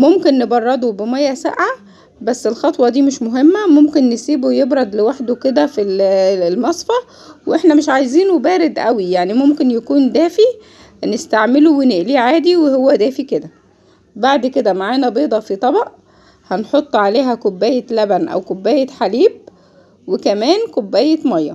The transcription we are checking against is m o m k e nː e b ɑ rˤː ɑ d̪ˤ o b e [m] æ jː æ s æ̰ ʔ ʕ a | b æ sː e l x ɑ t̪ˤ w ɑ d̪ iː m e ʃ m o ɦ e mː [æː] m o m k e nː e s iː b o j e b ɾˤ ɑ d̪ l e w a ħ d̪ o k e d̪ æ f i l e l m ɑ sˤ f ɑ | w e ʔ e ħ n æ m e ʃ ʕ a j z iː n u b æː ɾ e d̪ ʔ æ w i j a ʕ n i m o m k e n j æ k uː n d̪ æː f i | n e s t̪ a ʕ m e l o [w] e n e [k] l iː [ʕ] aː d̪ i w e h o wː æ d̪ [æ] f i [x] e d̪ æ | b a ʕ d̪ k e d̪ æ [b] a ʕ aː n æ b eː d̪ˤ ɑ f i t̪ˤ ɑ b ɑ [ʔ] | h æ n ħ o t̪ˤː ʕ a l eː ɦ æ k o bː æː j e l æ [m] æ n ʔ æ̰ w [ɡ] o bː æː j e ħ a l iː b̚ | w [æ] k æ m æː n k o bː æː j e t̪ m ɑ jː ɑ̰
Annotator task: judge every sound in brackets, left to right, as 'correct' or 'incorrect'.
correct, incorrect: æ, correct, incorrect: ʔ, correct, incorrect: æː, incorrect: k, incorrect: m, correct, incorrect: b, incorrect: k, incorrect: e

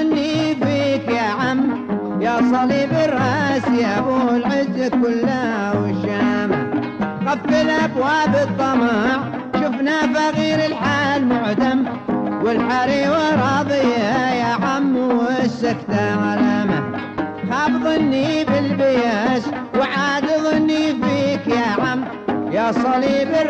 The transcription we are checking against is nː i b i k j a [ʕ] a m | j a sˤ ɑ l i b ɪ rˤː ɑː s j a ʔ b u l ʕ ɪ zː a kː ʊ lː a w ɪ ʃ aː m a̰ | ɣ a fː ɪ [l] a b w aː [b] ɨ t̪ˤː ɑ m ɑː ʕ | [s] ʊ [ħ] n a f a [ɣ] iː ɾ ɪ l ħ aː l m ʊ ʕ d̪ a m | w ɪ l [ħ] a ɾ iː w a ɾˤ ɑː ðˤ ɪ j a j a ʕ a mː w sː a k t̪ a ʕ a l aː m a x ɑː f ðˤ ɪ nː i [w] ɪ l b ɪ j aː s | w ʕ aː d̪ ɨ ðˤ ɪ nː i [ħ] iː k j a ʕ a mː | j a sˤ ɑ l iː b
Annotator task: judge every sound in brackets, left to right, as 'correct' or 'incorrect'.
correct, correct, correct, incorrect: ʃ, incorrect: f, correct, correct, incorrect: b, incorrect: f

